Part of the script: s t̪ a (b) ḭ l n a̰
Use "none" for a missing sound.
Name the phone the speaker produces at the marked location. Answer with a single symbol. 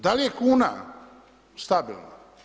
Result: b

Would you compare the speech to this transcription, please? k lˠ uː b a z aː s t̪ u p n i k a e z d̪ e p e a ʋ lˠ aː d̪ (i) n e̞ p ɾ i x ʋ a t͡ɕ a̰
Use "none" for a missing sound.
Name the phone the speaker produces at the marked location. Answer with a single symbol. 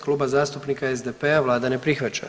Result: a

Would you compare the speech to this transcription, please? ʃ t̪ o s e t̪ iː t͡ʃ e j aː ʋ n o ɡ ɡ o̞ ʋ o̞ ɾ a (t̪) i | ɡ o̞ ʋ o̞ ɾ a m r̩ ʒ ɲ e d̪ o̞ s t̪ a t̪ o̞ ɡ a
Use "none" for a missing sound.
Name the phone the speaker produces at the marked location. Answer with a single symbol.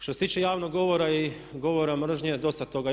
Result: none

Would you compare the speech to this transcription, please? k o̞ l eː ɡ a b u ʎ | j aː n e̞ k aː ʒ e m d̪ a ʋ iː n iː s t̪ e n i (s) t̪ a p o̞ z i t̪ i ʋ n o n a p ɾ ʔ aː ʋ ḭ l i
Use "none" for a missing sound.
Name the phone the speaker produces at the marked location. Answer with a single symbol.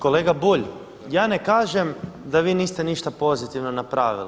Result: ʃ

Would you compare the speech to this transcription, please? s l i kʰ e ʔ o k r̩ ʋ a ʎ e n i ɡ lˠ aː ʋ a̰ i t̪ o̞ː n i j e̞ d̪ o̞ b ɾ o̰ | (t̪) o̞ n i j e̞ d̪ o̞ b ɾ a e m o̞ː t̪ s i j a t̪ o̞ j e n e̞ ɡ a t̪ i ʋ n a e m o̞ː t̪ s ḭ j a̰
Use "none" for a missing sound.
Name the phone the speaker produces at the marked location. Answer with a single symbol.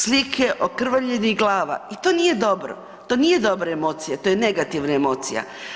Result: t̪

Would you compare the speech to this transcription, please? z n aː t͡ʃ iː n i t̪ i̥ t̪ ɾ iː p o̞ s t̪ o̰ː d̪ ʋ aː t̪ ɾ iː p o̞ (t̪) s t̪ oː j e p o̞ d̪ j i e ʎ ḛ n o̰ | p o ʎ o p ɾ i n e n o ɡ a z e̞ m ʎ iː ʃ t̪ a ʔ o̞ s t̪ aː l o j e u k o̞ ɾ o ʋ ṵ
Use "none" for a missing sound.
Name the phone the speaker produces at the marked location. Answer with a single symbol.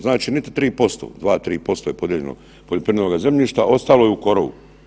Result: none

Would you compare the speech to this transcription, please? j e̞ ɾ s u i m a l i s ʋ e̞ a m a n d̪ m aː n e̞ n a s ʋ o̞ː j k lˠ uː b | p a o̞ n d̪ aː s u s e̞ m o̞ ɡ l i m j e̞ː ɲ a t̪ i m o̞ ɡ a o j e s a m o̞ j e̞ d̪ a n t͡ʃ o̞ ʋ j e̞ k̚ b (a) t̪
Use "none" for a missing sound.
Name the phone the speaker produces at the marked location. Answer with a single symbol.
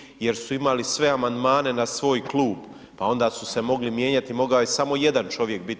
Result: i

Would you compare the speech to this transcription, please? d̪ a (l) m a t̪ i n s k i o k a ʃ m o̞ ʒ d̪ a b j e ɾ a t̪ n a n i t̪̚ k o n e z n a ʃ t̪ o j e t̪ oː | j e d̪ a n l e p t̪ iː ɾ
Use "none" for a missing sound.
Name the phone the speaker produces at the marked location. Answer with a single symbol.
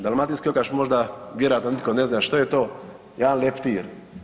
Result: l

